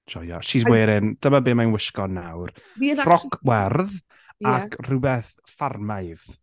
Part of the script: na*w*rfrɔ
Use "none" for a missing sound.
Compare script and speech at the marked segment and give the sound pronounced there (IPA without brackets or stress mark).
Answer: w